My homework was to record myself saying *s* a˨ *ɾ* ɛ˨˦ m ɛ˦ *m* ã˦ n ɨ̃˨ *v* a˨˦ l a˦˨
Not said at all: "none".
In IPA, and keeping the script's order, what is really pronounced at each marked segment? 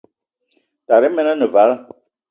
t, ɾ, n, v

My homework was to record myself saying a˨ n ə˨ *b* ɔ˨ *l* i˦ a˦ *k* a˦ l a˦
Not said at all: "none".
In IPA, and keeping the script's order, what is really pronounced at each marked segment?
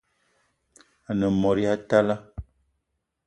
m, ɾ, t

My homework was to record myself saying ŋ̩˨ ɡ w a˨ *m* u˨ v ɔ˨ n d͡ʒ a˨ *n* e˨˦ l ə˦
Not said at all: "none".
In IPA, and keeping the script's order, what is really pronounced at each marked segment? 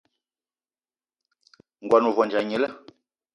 n, ɲ

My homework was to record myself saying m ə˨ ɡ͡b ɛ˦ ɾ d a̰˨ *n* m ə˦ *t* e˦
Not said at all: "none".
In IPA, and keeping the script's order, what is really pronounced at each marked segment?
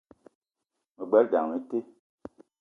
ŋ, t

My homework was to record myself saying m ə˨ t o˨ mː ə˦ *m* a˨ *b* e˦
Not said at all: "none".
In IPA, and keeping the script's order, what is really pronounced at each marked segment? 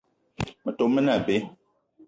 n, b

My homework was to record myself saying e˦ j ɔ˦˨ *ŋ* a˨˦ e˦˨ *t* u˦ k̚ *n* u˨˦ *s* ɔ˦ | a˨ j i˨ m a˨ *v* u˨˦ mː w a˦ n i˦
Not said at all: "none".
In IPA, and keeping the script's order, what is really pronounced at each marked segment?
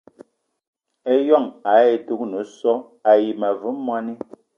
ŋ, t, n, s, v

